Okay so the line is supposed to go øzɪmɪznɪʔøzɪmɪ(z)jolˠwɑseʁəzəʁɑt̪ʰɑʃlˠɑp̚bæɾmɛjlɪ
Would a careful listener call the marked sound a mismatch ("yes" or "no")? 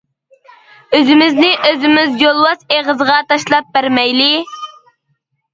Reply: no